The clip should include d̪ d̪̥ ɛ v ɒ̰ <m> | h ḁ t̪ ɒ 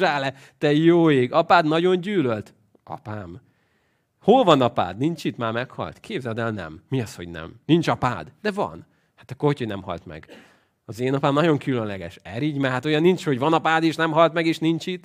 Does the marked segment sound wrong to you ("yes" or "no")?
yes